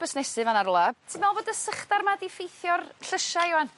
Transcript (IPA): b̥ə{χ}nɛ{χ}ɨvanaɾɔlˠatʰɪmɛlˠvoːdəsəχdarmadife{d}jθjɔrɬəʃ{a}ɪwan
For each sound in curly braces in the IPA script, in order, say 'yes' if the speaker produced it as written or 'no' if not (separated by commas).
no, no, no, yes